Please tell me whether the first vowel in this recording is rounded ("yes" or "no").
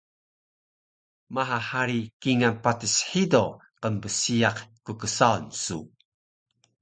no